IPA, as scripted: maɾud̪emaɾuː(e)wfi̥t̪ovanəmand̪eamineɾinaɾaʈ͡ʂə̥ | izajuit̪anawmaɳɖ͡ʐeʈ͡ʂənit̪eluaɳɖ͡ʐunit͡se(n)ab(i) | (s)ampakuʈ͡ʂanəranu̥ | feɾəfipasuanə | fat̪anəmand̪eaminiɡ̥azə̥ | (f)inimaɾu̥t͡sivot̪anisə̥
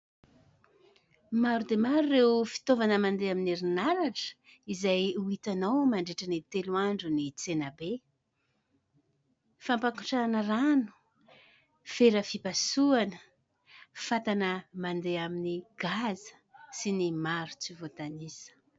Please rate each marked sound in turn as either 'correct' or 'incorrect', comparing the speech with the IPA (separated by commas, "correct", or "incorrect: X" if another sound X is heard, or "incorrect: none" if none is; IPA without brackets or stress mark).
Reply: correct, correct, incorrect: e, incorrect: f, incorrect: s